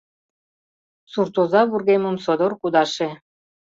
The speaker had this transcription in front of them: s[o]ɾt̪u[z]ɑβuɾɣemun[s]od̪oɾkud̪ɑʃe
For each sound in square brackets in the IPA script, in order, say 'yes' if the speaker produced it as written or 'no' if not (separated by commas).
no, yes, yes